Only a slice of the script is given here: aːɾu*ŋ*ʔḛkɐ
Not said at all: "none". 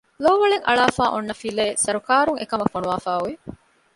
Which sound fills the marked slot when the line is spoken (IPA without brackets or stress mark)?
ŋ